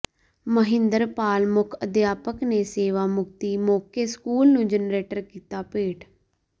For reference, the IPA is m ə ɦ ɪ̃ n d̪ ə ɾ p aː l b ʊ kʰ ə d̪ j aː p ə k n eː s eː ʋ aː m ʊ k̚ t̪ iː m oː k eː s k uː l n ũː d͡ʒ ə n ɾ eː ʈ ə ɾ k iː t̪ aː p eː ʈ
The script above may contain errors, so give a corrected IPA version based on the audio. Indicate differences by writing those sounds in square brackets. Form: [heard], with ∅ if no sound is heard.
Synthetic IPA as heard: m ə ɦ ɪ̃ n d̪ ə ɾ p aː l [m] ʊ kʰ ə d̪ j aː p ə k n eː s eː ʋ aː m ʊ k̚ t̪ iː m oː k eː s k uː l n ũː d͡ʒ ə n ɾ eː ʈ ə ɾ k iː t̪ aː p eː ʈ